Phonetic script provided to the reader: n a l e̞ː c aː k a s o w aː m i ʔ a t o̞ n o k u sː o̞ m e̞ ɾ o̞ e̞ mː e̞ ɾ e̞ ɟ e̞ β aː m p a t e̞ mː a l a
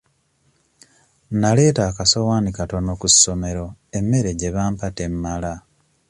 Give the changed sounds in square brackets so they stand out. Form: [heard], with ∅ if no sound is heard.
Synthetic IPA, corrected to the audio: n a l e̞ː [t] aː k a s o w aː [n] i [k] a t o̞ n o k u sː o̞ m e̞ ɾ o̞ e̞ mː e̞ ɾ e̞ ɟ e̞ β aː m p a t e̞ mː a l a